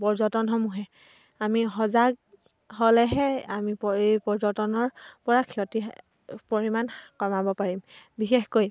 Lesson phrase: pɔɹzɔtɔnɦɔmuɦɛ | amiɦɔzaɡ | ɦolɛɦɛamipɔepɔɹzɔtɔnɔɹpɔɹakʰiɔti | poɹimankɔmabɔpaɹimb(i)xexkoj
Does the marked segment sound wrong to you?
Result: no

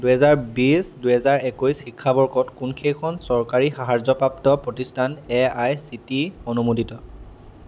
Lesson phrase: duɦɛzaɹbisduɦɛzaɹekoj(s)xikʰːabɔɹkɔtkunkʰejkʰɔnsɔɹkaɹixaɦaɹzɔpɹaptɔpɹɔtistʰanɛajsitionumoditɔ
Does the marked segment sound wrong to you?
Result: no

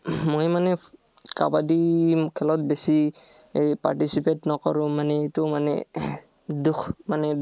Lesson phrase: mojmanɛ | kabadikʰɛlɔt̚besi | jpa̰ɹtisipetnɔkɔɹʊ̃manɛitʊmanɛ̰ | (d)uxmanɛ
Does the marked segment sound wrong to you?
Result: no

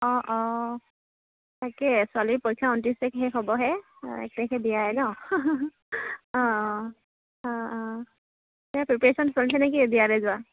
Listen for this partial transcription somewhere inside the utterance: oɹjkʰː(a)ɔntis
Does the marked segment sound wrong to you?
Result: no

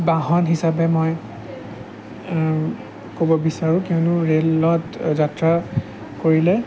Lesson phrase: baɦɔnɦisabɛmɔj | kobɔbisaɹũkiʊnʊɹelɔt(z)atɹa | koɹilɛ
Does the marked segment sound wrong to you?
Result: no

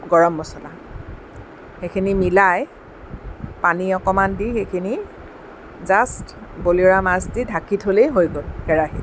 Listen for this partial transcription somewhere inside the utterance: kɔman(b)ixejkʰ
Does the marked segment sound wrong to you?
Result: yes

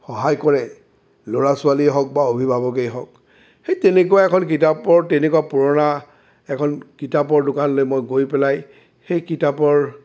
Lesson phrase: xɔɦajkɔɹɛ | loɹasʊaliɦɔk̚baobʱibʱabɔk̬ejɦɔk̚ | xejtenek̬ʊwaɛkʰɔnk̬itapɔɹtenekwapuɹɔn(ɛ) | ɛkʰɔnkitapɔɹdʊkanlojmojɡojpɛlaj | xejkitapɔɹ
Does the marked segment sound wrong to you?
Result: yes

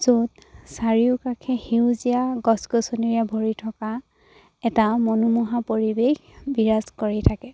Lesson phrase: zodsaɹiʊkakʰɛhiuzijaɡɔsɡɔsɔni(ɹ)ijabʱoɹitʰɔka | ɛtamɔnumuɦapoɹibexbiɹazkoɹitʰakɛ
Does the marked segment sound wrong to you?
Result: no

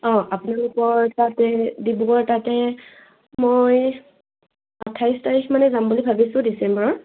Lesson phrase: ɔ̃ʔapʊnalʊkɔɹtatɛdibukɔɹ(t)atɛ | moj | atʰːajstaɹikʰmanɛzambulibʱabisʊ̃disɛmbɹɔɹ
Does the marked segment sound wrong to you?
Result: no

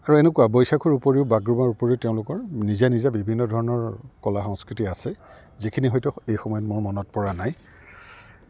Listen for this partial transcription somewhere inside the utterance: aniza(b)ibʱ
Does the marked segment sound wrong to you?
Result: no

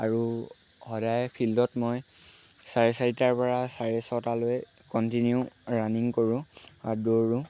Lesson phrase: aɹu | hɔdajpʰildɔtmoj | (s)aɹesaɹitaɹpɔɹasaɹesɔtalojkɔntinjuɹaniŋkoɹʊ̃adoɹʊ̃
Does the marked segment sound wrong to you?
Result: no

